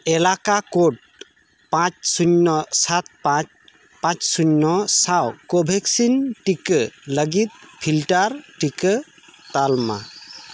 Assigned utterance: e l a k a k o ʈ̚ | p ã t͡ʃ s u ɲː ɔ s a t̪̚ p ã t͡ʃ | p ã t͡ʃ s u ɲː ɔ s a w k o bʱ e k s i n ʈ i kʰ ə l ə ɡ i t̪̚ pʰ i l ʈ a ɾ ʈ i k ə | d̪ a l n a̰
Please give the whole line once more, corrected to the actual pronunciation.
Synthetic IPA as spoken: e l a k a k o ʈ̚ | p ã t͡ʃ s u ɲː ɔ s a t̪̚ p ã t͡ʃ | p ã t͡ʃ s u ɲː ɔ s a w k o bʱ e k s i n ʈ i k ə l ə ɡ i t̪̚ pʰ i l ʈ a ɾ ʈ i k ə | t̪ a l m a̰